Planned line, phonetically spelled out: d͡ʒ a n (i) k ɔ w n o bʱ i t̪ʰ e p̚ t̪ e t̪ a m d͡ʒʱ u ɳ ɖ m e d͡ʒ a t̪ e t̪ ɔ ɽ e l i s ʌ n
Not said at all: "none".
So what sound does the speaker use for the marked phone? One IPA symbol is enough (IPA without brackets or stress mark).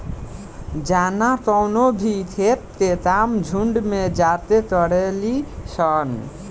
a